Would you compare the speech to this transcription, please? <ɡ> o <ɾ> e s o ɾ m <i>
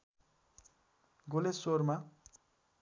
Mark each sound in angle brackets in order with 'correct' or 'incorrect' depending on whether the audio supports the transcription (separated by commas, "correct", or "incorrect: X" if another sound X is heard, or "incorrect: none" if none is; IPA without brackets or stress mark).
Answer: correct, incorrect: l, incorrect: a